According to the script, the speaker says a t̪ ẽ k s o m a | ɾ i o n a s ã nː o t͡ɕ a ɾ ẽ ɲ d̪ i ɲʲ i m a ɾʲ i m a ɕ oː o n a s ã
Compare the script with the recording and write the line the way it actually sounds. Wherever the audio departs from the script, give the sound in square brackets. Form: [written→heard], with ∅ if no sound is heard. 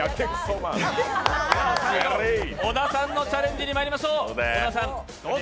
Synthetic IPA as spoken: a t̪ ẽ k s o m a | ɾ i o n a s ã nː o t͡ɕ a ɾ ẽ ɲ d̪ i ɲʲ i m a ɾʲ i m a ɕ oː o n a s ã

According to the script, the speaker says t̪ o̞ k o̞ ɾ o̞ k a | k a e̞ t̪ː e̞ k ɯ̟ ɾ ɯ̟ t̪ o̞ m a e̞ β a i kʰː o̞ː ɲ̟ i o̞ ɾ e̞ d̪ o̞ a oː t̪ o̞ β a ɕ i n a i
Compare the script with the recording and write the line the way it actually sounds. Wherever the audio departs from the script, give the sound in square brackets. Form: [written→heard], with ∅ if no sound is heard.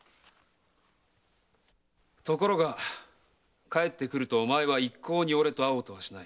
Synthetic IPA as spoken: t̪ o̞ k o̞ ɾ o̞ [k→ɡ] a | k a e̞ t̪ː e̞ k ɯ̟ ɾ ɯ̟ t̪ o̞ m a e̞ β a i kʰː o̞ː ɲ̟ i o̞ ɾ e̞ [d̪→t̪] o̞ a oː t̪ o̞ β a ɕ i n a i

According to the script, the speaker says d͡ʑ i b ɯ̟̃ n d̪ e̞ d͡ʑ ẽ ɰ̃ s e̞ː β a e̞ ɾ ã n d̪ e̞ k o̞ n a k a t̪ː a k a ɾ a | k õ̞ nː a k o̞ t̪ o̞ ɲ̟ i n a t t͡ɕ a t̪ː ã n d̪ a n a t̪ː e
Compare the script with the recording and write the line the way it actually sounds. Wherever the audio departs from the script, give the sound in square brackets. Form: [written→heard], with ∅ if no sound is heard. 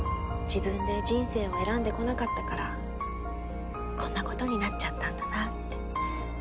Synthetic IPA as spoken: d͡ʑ i b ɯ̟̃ n d̪ e̞ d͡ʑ [ẽ→ĩ] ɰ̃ s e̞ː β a e̞ ɾ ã n d̪ e̞ k o̞ n a k a t̪ː a k a ɾ a | k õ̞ nː a k o̞ t̪ o̞ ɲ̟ i n a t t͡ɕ a t̪ː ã n d̪ a n a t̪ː e

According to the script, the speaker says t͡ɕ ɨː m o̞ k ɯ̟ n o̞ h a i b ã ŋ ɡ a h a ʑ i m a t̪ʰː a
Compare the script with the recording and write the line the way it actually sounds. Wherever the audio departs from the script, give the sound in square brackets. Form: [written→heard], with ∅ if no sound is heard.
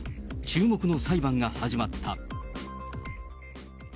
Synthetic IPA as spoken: t͡ɕ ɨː m o̞ k ɯ̟ n o̞ [h→s] a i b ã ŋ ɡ a h a ʑ i m a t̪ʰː a

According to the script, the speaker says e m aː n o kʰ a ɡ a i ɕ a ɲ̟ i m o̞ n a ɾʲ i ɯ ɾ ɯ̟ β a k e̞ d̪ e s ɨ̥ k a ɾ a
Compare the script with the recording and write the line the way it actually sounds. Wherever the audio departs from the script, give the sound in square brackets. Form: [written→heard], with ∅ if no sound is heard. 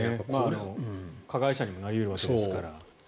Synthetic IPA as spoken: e m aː n o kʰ a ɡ a i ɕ a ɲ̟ i m o̞ n a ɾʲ i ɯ ɾ ɯ̟ β a k e̞ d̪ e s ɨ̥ k a ɾ a

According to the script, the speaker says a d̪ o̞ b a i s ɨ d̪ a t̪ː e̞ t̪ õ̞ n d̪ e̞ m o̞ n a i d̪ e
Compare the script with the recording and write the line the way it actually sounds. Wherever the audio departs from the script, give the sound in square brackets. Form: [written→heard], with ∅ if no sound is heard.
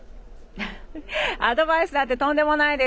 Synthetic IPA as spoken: a d̪ o̞ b a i s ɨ d̪ a t̪ː e̞ t̪ õ̞ n d̪ e̞ m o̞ n a i d̪ e

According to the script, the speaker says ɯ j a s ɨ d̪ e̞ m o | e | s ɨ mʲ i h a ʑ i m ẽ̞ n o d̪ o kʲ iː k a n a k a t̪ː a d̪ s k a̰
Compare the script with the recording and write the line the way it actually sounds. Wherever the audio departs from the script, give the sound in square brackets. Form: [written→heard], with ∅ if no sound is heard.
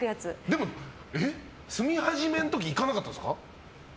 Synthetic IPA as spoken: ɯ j a [s→t͡s] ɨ d̪ e̞ m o | e | s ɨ mʲ i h a ʑ i m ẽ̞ n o [d̪→t̪] o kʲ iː k a n a k a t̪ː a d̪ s k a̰

